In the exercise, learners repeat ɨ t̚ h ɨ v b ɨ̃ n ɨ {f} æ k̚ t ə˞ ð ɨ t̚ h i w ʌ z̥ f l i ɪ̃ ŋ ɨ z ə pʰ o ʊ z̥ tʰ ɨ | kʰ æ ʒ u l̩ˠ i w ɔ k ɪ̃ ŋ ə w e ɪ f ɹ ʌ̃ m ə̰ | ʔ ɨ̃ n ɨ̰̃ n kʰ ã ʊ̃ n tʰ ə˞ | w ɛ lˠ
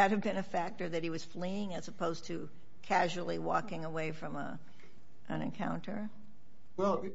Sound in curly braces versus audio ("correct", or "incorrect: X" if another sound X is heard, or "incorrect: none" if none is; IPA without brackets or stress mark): correct